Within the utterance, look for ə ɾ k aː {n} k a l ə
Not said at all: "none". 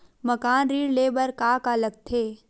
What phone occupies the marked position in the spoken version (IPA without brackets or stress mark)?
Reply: none